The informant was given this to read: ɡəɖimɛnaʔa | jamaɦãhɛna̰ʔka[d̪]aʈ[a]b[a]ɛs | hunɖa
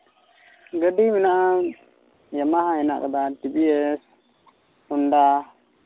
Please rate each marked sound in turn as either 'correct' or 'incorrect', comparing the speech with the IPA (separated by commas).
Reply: correct, incorrect, incorrect